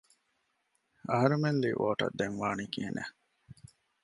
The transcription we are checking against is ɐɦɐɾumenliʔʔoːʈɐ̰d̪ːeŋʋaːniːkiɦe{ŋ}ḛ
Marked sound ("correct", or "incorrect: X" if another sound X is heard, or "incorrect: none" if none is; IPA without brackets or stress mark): incorrect: n